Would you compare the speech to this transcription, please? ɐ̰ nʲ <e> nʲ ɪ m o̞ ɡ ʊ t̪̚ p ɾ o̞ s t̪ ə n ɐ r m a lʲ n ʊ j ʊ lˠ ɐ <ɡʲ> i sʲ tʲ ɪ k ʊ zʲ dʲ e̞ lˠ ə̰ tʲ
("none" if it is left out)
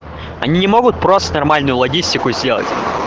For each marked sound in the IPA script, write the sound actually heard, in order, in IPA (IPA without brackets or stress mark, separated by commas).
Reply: i, ɡʲ